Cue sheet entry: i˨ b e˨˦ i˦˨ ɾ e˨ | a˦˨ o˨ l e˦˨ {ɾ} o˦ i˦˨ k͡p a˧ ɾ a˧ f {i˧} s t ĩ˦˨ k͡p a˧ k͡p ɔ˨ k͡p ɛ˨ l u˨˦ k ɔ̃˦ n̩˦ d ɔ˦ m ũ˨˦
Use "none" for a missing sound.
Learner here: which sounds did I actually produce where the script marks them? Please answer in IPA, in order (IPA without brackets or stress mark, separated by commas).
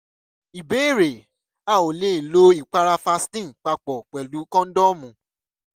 l, a˧